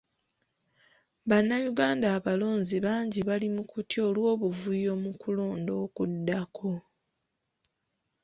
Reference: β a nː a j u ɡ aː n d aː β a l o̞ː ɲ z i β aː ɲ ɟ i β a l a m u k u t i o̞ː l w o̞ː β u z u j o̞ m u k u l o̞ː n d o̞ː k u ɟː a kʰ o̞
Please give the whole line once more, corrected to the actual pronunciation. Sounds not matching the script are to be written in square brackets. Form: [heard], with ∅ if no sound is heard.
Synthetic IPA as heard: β a nː a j u ɡ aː n d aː β a l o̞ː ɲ z i β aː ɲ ɟ i β a l [i] m u k u t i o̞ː l w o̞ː β u [v] u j o̞ m u k u l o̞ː n d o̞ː k u [dː] a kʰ o̞